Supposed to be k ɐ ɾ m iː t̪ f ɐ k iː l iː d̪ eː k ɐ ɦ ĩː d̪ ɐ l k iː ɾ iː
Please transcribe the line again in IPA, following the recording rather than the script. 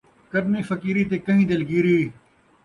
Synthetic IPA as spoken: k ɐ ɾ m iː f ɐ k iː ɾ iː t̪ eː k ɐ ɦ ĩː d̪ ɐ l ɡ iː ɾ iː